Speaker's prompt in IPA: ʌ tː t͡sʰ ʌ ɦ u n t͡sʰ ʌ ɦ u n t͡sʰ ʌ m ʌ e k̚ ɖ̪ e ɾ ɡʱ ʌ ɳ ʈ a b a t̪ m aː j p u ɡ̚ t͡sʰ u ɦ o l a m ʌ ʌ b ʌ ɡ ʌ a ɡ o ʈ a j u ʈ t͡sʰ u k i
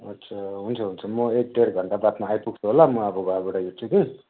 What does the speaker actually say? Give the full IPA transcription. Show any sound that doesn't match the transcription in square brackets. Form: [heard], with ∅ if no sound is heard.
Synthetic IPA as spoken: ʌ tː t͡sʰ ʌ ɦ u n t͡sʰ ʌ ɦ u n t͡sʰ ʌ m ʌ e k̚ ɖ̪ e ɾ ɡʱ ʌ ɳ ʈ a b a t̪ m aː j p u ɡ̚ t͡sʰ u ɦ o l a m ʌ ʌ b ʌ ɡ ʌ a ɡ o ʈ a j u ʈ t͡sʰ u k i